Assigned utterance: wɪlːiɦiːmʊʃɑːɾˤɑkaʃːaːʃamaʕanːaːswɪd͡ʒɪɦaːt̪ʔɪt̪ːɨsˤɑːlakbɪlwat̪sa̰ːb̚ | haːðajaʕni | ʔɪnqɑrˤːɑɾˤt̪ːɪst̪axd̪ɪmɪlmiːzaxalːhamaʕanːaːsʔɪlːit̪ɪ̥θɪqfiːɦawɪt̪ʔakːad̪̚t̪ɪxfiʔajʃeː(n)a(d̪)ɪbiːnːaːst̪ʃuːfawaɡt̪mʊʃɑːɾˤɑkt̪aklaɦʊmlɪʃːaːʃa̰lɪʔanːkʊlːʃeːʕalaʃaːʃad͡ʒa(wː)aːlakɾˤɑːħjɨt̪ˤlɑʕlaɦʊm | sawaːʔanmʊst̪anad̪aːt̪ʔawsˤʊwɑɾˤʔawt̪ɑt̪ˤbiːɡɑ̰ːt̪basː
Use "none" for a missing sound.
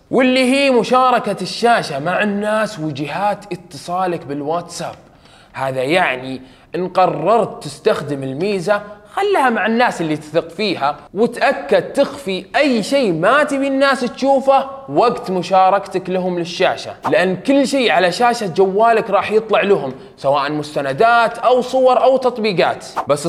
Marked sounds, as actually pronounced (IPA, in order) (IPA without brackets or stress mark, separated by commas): m, t̪, wː